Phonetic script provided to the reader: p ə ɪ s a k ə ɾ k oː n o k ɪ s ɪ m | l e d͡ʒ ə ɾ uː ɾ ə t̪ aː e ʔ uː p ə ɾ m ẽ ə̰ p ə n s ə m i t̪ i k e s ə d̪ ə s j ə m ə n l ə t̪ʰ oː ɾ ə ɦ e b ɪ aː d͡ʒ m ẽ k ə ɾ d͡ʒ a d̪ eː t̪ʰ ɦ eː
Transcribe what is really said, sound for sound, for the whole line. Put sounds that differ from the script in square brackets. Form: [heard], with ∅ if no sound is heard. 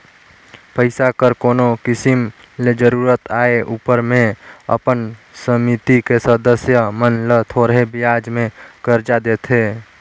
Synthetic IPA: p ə ɪ s a k ə ɾ k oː n o k ɪ s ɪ m | l e d͡ʒ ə ɾ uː ɾ ə t̪ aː e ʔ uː p ə ɾ m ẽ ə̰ p ə n s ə m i t̪ i k e s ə d̪ ə s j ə m ə n l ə t̪ʰ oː ɾ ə ɦ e b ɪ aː d͡ʒ m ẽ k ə ɾ d͡ʒ a d̪ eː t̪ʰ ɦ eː